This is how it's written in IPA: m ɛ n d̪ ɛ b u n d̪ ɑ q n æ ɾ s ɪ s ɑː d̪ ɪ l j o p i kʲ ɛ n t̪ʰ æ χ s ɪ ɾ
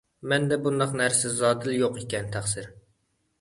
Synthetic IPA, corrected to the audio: m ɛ n d̪ ɛ b u n d̪ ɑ q n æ ɾ s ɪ z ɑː d̪ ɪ l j o q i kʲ ɛ n t̪ʰ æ χ s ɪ ɾ